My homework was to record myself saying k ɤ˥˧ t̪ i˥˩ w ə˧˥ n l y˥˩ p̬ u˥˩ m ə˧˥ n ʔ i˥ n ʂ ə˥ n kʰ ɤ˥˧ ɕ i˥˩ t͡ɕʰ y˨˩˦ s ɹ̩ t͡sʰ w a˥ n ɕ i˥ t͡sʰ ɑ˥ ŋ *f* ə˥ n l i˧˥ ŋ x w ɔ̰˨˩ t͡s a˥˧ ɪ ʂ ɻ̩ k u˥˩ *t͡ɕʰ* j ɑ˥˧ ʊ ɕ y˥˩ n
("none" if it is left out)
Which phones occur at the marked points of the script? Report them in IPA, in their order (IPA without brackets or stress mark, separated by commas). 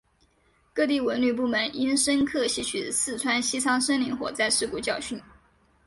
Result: ʂ, t͡ɕ